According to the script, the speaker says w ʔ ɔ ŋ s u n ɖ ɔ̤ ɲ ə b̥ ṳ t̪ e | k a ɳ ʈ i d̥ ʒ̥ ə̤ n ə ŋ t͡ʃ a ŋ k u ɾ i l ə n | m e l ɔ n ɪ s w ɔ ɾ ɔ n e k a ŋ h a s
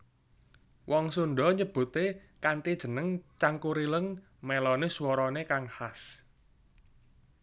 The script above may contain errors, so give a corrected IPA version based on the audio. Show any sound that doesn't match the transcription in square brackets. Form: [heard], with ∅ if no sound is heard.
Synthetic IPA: w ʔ ɔ ŋ s u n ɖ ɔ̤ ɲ ə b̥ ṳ t̪ e | k a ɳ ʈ i d̥ ʒ̥ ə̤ n ə ŋ t͡ʃ a ŋ k u ɾ i l ə [ŋ] | m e l ɔ n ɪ s w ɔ ɾ ɔ n e k a ŋ h a s